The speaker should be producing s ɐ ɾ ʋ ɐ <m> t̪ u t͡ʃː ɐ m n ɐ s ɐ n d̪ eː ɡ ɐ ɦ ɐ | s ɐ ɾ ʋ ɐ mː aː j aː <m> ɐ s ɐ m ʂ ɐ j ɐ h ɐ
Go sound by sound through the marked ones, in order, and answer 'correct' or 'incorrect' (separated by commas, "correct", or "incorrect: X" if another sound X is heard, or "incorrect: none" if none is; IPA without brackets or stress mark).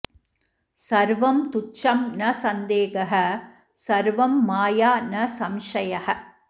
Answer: correct, incorrect: n